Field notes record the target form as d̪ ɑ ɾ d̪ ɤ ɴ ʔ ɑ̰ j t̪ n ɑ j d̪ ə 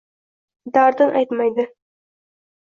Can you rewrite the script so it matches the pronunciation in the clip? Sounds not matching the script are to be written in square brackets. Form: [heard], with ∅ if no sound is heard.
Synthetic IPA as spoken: d̪ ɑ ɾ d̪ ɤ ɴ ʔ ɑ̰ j t̪ [m] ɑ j d̪ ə